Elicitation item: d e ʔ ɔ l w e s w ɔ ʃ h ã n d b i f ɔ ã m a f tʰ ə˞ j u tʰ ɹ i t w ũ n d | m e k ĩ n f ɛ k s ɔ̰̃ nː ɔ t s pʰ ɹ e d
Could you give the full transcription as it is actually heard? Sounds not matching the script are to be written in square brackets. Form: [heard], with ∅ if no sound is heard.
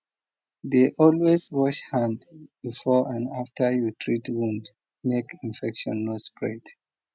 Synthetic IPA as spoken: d e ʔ ɔ l w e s w ɔ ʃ h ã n d b i f ɔ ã [n] a f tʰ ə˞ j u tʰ ɹ i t w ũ n d | m e k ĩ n f ɛ k [ʃ] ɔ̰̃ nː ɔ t s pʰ ɹ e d